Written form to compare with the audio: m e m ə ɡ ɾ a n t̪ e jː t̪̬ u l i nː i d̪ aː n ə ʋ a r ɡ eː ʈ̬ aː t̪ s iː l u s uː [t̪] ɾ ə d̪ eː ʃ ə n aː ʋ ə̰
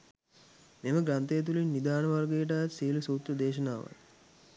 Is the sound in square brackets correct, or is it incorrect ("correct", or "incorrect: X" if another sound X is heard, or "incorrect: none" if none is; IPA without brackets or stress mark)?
correct